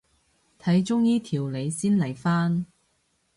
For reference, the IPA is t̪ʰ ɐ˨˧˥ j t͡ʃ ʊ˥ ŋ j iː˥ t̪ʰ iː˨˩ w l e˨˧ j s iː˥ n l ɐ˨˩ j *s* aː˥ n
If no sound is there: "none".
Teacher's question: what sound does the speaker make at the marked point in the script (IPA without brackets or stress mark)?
f